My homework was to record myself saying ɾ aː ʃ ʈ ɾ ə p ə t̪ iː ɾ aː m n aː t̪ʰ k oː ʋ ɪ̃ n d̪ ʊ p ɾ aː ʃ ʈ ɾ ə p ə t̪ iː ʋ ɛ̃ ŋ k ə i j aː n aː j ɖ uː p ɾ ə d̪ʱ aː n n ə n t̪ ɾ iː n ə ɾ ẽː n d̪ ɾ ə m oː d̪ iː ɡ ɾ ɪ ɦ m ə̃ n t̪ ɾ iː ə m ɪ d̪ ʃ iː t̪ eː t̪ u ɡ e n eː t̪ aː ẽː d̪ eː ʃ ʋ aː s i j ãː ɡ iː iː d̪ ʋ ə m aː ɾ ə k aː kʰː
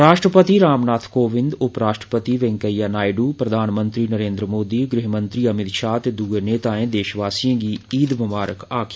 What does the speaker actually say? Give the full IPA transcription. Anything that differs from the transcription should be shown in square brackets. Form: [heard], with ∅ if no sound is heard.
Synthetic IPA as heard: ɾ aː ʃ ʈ ɾ ə p ə t̪ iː ɾ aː m n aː t̪ʰ k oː ʋ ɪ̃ n d̪ ʊ p ɾ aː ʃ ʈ ɾ ə p ə t̪ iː ʋ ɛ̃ ŋ k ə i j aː n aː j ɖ uː p ɾ ə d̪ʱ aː n [m] ə n t̪ ɾ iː n ə ɾ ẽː n d̪ ɾ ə m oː d̪ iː ɡ ɾ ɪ ɦ m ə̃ n t̪ ɾ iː ə m ɪ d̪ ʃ [aː] t̪ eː [d̪] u ɡ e n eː t̪ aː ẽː d̪ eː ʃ ʋ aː s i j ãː ɡ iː iː d̪ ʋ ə m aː ɾ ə k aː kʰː

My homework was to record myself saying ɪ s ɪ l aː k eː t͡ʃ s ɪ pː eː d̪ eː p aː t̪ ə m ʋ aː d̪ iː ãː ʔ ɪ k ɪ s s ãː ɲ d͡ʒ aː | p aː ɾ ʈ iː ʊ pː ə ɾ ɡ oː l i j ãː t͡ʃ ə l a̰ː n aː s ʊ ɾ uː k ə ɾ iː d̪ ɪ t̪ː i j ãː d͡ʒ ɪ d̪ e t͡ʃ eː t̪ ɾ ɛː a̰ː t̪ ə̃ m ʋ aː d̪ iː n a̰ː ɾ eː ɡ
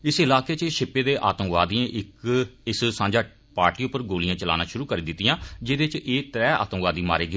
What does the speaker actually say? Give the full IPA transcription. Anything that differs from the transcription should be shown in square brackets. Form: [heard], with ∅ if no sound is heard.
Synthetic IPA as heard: ɪ s ɪ l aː k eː t͡ʃ [ʃ] ɪ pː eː d̪ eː [ʔ] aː t̪ ə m ʋ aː d̪ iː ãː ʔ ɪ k ɪ s s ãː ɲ d͡ʒ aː | p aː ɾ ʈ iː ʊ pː ə ɾ ɡ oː l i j ãː t͡ʃ ə l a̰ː n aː [ʃ] ʊ ɾ uː k ə ɾ iː d̪ ɪ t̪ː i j ãː d͡ʒ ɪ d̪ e t͡ʃ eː t̪ ɾ ɛː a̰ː t̪ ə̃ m ʋ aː d̪ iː [m] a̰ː ɾ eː ɡ

